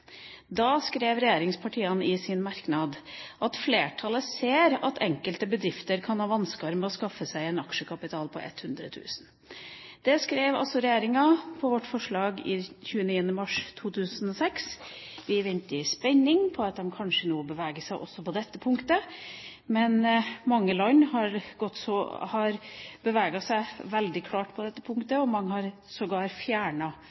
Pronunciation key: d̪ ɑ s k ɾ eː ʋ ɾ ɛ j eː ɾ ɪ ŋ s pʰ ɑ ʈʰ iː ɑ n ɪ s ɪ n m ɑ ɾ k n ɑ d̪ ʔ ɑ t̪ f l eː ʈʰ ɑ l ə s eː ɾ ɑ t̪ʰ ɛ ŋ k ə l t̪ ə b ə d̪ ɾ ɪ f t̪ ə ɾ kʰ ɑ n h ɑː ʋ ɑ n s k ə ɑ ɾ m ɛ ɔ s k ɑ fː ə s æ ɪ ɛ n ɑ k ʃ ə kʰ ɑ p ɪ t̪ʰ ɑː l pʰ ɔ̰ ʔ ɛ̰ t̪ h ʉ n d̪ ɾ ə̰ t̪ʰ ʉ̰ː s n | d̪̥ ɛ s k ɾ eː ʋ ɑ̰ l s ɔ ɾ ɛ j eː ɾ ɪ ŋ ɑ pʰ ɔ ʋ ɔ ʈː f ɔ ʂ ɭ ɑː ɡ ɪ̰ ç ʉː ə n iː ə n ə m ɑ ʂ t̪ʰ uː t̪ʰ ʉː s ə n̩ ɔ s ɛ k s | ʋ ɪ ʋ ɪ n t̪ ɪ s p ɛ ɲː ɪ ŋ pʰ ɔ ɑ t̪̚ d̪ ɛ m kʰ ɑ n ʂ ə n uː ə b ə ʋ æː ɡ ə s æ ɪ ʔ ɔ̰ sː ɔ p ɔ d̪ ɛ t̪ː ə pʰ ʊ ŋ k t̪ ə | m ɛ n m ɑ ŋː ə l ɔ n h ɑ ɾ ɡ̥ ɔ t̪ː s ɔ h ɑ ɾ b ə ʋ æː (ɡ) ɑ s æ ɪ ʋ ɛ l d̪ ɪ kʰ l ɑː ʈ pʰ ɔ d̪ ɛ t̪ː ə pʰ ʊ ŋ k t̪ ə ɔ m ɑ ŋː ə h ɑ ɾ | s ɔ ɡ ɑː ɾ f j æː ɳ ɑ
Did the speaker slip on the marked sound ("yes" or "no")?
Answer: no